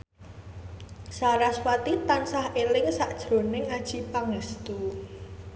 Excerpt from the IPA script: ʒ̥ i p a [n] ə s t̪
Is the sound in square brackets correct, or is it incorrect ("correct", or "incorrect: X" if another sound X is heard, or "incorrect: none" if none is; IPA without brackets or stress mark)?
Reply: incorrect: ŋ